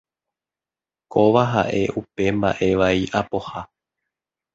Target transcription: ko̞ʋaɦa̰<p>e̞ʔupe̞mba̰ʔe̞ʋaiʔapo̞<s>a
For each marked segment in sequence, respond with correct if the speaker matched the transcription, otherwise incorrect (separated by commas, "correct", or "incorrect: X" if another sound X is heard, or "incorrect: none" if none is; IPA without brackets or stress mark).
incorrect: ʔ, incorrect: h